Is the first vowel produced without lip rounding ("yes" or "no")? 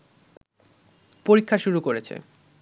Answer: no